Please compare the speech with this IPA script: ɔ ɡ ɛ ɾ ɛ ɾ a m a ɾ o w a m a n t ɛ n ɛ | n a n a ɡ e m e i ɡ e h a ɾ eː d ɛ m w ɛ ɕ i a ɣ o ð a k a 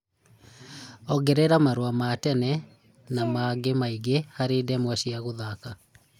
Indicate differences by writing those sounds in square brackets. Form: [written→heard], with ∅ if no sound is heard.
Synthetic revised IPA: ɔ ɡ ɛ ɾ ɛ ɾ a m a ɾ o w a m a [n→∅] t ɛ n ɛ | n a [n→m] a ɡ e m [e→a] i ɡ e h a ɾ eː d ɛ m w ɛ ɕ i a ɣ o ð a k a